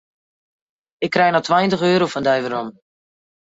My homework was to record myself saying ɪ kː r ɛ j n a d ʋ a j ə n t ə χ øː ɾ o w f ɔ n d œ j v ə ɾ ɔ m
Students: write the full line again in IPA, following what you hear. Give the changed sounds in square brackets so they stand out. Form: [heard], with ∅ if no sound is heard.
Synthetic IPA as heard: ɪ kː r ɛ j n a [t] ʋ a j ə n t ə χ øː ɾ o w f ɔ n d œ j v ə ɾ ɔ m